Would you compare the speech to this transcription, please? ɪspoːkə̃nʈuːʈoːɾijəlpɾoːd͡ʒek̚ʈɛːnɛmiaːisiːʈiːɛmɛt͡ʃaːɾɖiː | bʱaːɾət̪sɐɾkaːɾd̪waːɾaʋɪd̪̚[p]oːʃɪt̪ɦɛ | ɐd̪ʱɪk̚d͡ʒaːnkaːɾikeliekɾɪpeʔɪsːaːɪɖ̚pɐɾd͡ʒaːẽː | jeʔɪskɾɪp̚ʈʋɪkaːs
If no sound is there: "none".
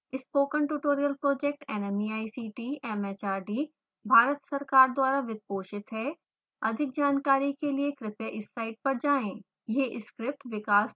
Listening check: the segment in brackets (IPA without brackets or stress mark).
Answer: p